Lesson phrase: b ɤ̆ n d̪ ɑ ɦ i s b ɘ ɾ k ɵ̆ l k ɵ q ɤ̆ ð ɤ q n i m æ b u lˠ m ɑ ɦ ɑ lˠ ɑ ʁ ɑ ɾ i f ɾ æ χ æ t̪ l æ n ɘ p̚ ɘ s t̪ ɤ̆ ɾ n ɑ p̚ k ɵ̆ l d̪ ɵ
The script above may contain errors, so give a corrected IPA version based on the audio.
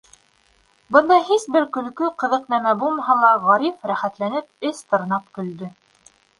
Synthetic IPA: b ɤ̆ n d̪ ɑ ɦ i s b ɘ ɾ k ɵ̆ l k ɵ q ɤ̆ ð ɤ q n æ m æ b u lˠ m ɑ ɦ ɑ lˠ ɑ ʁ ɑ ɾ i f ɾ æ χ æ t̪ l æ n ɘ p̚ ɘ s t̪ ɤ̆ ɾ n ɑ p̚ k ɵ̆ l d̪ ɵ